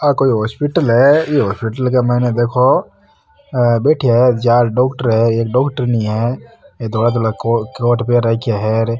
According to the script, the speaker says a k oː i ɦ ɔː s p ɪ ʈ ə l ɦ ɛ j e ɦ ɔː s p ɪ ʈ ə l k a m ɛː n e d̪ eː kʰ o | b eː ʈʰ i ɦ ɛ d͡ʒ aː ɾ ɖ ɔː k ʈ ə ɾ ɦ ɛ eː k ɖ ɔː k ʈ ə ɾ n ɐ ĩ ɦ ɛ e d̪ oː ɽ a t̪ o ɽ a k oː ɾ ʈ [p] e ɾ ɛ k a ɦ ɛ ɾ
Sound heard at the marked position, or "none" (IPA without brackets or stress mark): p